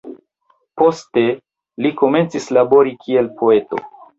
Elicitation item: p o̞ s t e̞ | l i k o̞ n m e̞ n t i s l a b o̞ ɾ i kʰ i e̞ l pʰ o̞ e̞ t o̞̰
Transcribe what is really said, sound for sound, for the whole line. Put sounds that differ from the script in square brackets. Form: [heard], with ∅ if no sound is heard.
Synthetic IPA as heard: p o̞ s t e̞ | l i k o̞ [∅] m e̞ n [t͡s] i s l a b o̞ ɾ i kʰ i e̞ l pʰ o̞ e̞ t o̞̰